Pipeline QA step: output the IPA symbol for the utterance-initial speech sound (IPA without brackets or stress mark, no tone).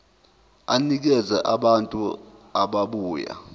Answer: a